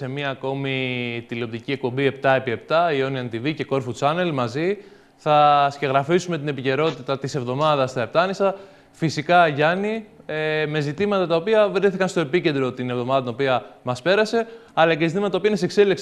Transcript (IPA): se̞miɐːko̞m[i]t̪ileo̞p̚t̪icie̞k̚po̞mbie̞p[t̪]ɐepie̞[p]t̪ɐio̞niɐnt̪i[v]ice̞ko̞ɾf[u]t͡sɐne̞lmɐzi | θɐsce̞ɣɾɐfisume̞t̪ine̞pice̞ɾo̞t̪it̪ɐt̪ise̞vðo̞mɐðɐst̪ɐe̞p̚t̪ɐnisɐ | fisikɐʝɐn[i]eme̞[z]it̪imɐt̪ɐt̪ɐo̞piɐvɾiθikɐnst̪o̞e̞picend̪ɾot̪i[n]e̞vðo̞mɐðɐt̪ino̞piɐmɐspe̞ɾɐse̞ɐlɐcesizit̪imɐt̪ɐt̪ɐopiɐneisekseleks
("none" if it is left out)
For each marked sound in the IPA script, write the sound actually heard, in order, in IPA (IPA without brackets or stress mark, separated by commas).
i, t̪, p, v, u, i, z, n